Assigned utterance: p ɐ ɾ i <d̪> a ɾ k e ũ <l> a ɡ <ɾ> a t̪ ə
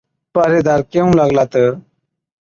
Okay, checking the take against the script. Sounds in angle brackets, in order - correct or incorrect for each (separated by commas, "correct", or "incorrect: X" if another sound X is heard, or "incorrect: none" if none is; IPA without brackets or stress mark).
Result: correct, correct, incorrect: l